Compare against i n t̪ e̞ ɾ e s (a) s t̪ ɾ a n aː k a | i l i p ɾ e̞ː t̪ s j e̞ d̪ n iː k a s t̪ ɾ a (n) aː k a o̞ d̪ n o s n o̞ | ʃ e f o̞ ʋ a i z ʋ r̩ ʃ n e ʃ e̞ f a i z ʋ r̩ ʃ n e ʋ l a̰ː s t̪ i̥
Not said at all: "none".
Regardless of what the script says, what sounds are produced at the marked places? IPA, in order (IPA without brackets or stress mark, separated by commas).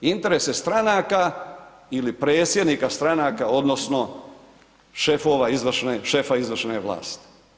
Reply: e, n